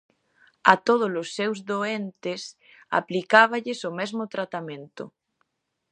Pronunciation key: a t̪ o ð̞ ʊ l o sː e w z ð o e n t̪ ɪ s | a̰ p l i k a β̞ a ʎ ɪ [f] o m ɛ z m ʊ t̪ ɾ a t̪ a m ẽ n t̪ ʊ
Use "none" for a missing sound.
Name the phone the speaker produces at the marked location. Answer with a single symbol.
s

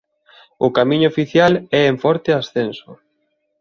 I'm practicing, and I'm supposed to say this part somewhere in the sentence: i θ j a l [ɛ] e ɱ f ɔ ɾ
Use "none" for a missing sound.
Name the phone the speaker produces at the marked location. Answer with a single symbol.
ɛ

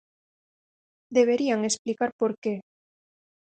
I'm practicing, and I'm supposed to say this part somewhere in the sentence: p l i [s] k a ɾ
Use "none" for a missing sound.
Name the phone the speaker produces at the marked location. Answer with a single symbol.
none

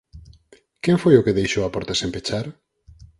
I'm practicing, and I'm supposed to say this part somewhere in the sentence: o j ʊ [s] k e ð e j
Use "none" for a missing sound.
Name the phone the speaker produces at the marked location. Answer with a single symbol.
none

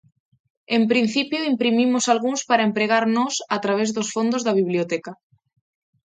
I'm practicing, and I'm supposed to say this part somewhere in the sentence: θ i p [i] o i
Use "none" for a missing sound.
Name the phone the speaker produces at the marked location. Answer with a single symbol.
j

